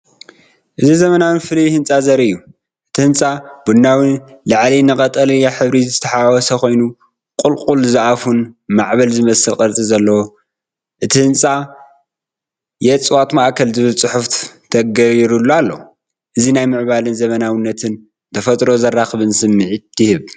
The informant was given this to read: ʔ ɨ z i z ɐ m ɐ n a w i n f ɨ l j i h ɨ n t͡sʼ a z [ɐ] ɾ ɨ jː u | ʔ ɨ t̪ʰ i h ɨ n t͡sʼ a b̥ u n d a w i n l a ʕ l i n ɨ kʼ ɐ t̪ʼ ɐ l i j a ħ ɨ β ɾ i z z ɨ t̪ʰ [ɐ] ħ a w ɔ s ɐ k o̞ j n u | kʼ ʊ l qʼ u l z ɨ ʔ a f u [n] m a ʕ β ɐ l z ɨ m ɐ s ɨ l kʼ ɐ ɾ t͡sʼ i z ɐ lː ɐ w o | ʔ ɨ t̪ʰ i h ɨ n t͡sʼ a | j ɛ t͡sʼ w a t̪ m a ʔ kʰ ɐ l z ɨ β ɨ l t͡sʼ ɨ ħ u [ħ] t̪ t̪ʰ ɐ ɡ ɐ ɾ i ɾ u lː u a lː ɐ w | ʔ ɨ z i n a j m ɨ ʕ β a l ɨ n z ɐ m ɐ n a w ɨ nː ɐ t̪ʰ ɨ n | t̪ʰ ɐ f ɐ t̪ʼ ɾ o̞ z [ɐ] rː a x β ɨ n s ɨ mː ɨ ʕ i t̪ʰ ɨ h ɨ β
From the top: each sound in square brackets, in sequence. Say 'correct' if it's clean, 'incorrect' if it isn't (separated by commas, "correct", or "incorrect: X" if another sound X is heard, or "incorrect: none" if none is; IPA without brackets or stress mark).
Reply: correct, correct, correct, incorrect: f, correct